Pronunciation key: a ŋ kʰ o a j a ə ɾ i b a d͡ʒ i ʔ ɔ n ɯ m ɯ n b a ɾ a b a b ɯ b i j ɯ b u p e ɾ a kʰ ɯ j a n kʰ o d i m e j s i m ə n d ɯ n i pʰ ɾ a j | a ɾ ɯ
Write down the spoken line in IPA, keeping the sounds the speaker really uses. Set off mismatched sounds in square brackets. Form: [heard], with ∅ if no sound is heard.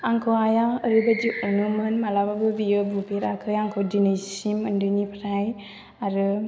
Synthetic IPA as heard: a ŋ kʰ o a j a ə ɾ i b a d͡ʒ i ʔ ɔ n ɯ m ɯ n [m] a [l] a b a b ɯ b i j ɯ b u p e ɾ a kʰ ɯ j a [ŋ] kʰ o d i [n] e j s i m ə n d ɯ n i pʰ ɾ a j | a ɾ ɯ